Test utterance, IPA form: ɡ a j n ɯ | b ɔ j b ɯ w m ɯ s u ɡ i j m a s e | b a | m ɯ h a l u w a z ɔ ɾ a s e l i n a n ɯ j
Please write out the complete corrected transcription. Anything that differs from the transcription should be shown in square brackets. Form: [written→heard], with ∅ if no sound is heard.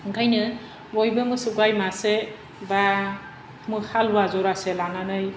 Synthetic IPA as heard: ɡ a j n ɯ | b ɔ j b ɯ [w→∅] m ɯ s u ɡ [i→a] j m a s e | b a | m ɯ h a l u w a z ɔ ɾ a s e l [i→a] n a n ɯ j